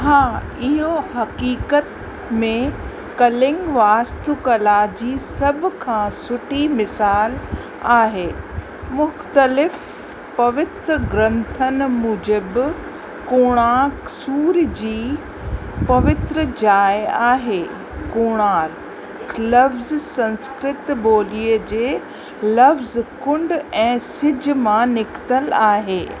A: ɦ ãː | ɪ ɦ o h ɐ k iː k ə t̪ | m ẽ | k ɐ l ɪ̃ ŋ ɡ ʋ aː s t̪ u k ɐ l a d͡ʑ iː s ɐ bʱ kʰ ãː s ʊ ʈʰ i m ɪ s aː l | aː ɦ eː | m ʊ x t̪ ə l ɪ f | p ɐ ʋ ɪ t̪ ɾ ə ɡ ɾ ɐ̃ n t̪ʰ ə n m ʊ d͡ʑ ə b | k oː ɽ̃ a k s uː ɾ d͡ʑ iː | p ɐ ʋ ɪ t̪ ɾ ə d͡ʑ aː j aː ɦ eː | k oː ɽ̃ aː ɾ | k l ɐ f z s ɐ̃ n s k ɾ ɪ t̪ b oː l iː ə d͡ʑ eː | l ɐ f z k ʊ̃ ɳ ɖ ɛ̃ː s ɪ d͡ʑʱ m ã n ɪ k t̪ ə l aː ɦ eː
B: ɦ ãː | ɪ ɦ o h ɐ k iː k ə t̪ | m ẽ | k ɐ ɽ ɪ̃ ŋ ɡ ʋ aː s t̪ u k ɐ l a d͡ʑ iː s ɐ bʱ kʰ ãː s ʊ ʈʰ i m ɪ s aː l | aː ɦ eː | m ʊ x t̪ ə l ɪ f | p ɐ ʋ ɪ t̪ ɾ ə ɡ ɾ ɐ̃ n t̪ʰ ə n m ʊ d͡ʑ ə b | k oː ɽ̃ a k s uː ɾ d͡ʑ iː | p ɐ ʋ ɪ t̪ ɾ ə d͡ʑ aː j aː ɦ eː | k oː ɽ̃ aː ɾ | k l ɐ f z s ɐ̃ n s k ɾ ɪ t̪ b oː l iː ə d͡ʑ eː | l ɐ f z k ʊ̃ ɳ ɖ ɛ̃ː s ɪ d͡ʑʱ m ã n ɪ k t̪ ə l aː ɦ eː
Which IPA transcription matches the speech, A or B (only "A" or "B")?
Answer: A